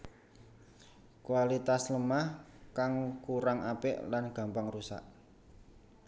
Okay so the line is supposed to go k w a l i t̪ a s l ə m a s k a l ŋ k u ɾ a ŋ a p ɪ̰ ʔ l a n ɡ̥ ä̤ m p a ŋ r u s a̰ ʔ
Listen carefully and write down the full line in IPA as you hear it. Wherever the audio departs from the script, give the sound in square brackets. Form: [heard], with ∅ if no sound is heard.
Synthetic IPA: k w a l i t̪ a s l ə m a [h] k a [∅] ŋ k u ɾ a ŋ a p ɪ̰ ʔ l a n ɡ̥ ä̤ m p a ŋ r u s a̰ ʔ